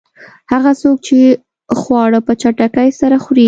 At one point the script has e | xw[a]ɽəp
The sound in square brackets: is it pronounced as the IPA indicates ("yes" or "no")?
no